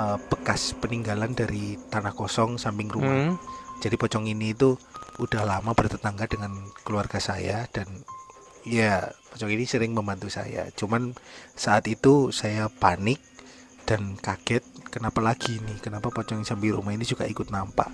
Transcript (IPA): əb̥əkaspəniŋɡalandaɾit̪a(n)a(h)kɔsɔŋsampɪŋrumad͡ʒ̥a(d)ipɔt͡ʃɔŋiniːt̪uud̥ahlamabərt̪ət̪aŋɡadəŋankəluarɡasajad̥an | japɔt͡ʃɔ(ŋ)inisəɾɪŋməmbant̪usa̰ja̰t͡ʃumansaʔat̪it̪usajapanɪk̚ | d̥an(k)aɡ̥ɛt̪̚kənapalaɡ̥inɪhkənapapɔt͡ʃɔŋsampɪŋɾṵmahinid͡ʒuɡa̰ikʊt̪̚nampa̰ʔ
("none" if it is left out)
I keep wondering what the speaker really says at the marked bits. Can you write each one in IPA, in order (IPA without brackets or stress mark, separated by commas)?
n, h, d, ŋ, k